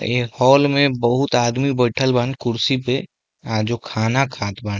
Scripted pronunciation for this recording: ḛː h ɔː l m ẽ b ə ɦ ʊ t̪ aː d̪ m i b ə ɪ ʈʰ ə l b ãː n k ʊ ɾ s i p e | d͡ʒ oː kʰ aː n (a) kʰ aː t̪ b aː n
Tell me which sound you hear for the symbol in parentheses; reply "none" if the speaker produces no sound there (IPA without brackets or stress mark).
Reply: a